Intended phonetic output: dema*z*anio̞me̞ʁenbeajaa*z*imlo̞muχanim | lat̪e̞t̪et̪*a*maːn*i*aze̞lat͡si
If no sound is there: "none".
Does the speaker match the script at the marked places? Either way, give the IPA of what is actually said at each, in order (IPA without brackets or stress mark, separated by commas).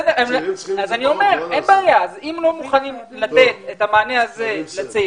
z, z, a, e